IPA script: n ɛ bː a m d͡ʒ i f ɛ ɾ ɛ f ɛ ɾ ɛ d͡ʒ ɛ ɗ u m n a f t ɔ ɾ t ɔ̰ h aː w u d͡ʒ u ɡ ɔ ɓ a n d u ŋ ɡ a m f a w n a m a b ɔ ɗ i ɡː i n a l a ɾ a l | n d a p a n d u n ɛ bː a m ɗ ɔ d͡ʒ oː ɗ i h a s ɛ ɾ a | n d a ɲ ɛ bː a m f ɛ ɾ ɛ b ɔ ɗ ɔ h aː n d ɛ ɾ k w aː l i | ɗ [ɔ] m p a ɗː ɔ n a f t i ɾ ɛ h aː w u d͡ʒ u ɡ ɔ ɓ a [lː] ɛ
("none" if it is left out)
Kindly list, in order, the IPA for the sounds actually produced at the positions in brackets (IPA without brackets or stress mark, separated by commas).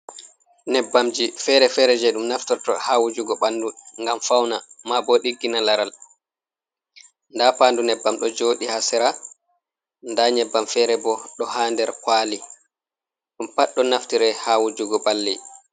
u, lː